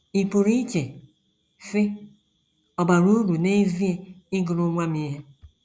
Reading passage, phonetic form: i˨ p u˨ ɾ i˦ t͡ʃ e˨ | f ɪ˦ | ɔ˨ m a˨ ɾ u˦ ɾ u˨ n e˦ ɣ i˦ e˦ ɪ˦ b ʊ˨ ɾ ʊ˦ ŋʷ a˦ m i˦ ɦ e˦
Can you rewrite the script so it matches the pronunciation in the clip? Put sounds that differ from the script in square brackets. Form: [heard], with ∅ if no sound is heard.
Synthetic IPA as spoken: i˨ p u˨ ɾ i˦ t͡ʃ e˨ | f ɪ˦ | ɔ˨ [b] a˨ ɾ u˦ ɾ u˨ n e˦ [v] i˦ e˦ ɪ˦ [ɡ] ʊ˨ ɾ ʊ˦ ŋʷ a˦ m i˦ ɦ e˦